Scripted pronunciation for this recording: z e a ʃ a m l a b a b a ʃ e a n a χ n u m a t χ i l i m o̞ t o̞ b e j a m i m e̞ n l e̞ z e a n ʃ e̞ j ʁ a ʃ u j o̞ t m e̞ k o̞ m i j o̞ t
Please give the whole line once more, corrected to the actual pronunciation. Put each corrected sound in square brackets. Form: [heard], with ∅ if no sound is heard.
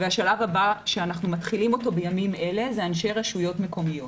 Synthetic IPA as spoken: [v] e a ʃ a [∅] l a [v] a b a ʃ e a n a χ n u m a t χ i l i m o̞ t o̞ b e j a m i m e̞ [∅] l e̞ z e a n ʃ e̞ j ʁ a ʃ u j o̞ t m e̞ k o̞ m i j o̞ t